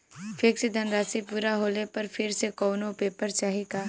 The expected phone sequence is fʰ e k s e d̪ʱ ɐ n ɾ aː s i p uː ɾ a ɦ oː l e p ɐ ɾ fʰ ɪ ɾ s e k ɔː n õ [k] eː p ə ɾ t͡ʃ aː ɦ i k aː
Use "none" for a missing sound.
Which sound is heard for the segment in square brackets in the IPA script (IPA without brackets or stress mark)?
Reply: p